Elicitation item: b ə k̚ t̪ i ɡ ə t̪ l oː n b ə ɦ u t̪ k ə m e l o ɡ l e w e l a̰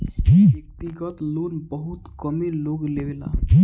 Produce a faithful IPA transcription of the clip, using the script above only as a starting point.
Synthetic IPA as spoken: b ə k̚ t̪ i ɡ ə t̪ l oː n b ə ɦ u t̪ k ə m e l o ɡ l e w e l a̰